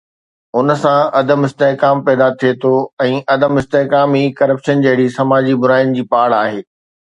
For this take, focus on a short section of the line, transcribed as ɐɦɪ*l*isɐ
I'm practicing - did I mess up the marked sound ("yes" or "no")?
yes